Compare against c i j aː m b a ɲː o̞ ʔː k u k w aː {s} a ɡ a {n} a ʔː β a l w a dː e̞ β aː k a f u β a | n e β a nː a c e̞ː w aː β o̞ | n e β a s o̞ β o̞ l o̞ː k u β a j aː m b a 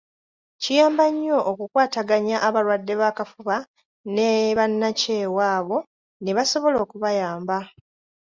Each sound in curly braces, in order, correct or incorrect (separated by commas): incorrect, incorrect